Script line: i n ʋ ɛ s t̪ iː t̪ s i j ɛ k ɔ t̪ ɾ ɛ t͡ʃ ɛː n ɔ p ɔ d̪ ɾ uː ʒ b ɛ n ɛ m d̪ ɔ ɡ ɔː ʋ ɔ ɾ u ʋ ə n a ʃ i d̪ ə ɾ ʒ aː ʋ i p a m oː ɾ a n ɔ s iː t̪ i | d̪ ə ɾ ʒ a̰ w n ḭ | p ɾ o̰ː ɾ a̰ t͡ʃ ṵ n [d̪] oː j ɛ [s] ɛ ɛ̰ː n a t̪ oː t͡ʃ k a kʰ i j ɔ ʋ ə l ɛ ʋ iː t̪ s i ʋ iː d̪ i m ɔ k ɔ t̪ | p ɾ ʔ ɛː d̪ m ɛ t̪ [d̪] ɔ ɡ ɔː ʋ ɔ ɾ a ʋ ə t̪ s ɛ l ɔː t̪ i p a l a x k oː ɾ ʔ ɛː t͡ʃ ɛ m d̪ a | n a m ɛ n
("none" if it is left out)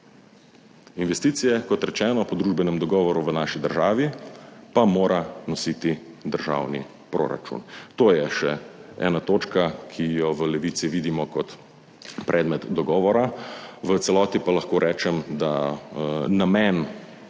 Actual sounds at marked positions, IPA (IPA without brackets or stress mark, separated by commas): t̪, ʃ, d̪